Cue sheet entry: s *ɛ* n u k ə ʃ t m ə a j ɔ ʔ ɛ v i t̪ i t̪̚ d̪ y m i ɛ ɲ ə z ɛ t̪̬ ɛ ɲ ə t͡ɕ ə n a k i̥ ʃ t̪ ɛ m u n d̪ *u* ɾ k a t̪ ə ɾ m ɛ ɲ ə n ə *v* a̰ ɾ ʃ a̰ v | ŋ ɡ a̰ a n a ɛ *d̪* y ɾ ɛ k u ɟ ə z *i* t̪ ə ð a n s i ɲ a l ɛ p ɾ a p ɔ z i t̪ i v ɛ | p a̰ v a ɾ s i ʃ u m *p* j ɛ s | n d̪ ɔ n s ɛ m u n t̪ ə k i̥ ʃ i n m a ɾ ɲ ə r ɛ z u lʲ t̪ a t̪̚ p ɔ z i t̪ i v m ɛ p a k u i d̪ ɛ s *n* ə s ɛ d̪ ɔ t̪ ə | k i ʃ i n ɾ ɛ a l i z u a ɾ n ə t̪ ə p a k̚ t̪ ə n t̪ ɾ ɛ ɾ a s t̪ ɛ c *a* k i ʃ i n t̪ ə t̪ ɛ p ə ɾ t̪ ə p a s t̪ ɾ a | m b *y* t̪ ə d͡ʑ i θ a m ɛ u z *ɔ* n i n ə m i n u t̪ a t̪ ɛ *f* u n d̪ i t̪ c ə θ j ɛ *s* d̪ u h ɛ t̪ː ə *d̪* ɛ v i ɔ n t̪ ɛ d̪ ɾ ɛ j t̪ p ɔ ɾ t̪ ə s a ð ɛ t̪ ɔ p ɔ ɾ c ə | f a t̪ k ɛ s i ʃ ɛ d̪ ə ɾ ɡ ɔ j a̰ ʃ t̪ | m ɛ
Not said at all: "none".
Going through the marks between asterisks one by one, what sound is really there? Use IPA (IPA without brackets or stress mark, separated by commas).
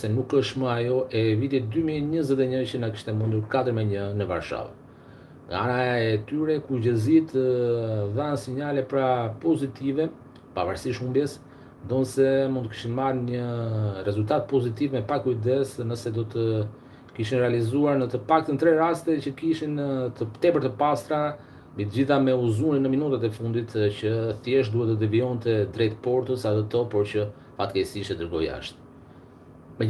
ɛ, u, v, t̪, i, b, n, ə, i, u, f, ʃ, d̪